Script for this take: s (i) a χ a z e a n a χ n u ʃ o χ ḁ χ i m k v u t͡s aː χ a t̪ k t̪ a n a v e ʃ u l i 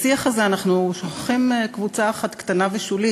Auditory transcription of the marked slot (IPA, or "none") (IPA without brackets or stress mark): i